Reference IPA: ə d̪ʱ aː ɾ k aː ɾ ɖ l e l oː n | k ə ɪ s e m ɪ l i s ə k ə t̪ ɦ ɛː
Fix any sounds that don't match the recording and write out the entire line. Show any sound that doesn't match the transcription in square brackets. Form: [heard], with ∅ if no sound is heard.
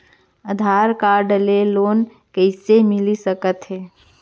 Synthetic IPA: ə d̪ʱ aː ɾ k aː ɾ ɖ l e l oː n | k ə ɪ s e m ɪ l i s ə k ə t̪ ɦ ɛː